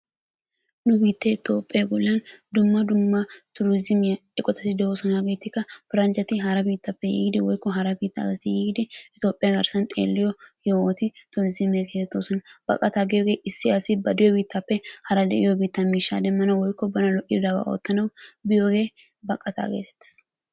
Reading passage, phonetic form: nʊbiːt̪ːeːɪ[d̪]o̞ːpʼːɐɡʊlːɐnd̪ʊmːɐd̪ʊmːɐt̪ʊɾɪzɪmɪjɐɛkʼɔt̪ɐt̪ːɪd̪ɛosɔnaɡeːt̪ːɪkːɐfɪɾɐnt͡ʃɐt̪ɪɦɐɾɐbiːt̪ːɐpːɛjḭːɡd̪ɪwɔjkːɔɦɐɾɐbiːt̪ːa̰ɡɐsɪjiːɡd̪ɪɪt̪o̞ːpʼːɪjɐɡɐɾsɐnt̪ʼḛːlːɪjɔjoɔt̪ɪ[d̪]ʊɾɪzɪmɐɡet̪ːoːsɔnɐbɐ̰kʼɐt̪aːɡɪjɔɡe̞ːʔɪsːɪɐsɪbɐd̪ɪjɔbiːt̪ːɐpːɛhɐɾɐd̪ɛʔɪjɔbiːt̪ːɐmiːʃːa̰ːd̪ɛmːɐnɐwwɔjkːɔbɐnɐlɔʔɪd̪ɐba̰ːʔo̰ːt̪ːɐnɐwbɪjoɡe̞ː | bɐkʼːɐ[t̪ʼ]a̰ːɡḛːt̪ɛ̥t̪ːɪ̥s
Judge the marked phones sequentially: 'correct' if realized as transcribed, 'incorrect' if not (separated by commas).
incorrect, incorrect, incorrect